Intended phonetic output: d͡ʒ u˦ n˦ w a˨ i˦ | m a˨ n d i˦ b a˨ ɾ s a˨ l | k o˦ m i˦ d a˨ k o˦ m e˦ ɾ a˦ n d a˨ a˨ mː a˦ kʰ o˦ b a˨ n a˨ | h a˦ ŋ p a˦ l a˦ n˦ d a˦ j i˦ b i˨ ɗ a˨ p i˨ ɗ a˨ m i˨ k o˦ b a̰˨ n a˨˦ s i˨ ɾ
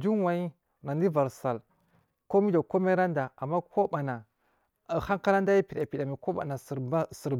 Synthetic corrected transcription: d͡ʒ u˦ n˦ w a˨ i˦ | n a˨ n d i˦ v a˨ ɾ s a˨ l | k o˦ m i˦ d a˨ k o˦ m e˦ ɾ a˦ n d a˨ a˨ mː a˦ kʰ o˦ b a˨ n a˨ | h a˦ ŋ k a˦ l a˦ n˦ d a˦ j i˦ p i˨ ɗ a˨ p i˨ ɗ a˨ m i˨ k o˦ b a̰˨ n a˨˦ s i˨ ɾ